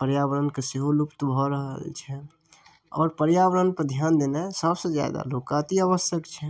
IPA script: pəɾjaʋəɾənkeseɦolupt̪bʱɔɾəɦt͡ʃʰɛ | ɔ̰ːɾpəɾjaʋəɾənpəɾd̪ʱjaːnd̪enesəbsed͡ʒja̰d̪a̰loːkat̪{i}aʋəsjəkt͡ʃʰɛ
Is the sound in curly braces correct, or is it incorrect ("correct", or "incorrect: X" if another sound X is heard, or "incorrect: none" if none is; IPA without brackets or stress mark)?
correct